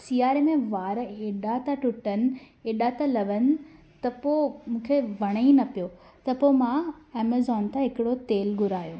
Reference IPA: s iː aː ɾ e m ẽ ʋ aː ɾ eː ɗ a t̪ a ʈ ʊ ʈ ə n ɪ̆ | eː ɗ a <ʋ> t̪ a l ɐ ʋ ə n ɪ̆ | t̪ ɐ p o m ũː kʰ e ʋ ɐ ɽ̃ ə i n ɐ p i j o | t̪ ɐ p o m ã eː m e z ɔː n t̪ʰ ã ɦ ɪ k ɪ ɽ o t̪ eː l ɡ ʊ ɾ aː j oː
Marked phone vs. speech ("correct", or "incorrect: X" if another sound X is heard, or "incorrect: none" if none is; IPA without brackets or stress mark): incorrect: none